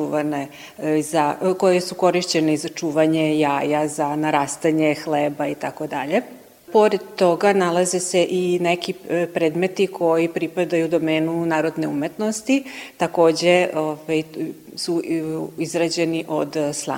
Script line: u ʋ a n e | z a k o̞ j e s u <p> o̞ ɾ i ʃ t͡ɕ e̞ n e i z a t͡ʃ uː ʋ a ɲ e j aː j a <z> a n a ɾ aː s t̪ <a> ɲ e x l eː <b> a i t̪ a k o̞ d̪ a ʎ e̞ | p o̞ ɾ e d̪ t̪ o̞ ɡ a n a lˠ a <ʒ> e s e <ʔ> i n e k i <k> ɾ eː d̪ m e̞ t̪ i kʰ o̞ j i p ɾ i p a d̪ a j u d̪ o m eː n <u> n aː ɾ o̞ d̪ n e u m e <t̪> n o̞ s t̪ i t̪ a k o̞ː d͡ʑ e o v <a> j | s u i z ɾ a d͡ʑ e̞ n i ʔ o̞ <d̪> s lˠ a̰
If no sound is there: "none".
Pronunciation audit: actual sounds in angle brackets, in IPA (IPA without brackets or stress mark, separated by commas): k, z, a, b, z, ʔ, p, u, t̪, a, d̪